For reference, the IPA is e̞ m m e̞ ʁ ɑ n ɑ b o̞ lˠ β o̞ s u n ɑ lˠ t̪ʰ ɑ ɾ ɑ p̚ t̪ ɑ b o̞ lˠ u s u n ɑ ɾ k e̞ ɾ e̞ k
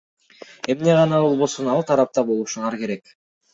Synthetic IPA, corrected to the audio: e̞ m n e̞ ʁ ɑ n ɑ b o̞ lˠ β o̞ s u n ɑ lˠ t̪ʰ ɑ ɾ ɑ p̚ t̪ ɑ b o̞ lˠ u ʃ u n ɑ ɾ k e̞ ɾ e̞ k